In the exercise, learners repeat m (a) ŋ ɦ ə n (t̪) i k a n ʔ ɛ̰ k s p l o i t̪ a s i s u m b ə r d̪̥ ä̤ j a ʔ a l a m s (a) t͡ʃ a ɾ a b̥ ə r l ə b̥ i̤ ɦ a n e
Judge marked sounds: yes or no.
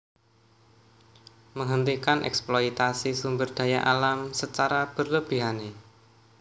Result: no, yes, no

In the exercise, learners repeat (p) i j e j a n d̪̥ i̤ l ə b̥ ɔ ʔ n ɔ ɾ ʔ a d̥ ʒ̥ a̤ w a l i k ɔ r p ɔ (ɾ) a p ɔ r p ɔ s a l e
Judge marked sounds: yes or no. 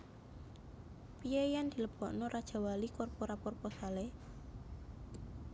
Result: yes, yes

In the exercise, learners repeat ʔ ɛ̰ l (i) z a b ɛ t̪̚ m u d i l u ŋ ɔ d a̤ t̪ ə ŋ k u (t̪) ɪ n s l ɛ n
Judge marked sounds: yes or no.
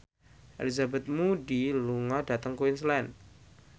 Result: yes, no

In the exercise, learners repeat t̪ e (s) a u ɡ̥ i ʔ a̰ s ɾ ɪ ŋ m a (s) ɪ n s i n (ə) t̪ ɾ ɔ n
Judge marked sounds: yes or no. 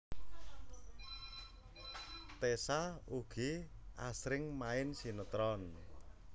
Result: yes, no, yes

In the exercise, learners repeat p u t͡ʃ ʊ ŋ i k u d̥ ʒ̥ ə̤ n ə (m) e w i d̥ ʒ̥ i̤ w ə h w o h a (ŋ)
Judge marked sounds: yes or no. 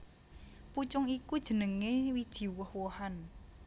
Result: no, no

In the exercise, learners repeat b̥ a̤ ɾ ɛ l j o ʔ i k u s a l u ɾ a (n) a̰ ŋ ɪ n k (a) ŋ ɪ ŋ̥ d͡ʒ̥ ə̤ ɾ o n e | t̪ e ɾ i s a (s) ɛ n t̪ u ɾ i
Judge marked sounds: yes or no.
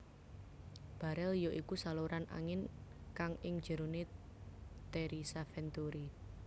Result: yes, yes, no

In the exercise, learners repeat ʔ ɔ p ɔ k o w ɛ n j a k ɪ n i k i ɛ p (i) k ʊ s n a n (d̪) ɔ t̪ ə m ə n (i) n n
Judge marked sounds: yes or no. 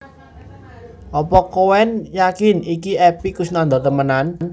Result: yes, yes, no

